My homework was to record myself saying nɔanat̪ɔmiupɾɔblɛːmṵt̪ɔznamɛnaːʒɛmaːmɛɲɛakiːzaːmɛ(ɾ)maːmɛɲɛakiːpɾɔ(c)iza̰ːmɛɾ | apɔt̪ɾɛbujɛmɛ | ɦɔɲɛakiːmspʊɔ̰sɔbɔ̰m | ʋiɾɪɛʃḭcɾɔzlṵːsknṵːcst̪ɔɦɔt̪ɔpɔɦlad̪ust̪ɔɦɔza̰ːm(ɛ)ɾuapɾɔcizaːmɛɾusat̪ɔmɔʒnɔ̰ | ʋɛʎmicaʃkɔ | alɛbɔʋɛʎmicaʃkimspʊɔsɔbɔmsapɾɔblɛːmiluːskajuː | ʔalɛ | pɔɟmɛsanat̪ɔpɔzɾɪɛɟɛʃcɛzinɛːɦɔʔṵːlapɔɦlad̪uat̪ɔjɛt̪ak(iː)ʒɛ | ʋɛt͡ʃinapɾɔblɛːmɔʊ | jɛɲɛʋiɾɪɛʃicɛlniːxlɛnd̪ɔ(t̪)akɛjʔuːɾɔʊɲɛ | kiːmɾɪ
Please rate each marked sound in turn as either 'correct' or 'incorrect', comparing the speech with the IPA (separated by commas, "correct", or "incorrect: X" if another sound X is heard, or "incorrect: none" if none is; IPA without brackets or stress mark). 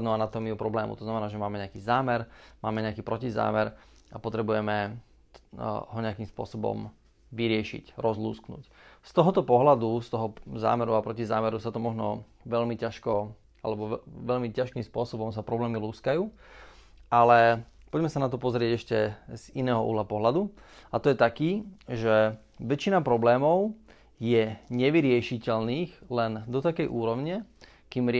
correct, correct, correct, correct, correct